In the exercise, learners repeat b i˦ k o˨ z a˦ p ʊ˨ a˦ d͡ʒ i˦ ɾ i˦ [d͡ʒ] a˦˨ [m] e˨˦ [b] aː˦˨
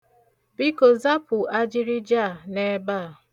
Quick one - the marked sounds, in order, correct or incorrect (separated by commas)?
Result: correct, incorrect, correct